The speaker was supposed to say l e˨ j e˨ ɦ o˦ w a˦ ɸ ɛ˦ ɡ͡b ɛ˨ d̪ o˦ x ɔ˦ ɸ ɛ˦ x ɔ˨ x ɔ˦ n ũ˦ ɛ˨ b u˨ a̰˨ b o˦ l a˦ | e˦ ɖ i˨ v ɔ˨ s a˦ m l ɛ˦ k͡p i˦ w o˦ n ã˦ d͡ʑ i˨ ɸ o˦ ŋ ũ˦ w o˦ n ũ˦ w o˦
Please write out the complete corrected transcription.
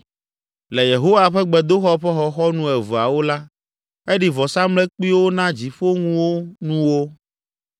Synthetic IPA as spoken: l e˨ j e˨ ɦ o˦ w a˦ ɸ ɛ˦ ɡ͡b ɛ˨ d̪ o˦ x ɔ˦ ɸ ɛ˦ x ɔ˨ x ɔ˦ n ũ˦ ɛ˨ v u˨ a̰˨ w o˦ l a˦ | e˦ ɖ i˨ v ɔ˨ s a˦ m l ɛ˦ k͡p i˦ w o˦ n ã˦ d͡ʑ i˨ ɸ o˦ ŋ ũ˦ w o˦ n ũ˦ w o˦